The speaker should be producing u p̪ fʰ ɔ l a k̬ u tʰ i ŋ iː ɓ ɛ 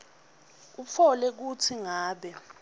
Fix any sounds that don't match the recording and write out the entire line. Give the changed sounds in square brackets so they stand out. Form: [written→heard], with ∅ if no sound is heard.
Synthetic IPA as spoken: u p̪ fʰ ɔ l [a→ɛ] k̬ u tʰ i ŋ [iː→aː] ɓ ɛ